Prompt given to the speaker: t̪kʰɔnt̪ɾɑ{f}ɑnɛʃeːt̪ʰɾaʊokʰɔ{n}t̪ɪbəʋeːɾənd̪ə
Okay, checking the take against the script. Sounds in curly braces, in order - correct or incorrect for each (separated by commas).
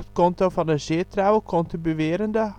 correct, correct